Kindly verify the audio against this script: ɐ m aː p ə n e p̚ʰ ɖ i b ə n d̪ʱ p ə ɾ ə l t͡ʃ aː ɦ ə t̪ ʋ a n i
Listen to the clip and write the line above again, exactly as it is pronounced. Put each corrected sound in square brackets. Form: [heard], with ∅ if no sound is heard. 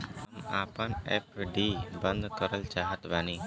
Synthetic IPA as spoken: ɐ m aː p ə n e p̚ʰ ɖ i b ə n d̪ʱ [k] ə ɾ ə l t͡ʃ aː ɦ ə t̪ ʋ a n i